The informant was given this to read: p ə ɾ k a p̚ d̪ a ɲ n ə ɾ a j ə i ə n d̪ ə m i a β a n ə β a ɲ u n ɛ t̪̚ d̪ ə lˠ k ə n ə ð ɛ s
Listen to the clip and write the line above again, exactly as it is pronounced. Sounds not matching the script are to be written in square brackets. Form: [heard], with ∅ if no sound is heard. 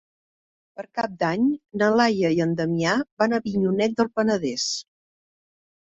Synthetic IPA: p ə ɾ k a p̚ d̪ a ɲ n ə [l] a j ə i ə n d̪ ə m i a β a n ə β [i] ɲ u n ɛ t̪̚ d̪ ə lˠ [p] ə n ə ð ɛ s